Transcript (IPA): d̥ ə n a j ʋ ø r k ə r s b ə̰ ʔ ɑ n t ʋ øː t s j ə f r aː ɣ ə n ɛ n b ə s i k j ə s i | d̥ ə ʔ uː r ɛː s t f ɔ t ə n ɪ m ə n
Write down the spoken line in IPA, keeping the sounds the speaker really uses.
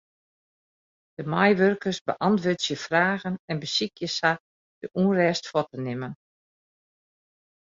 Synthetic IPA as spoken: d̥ ə m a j ʋ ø r k ə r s b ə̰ ʔ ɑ n t ʋ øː t s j ə f r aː ɣ ə n ɛ n b ə s i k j ə s a | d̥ ə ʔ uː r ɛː s t f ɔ t ə n ɪ m ə n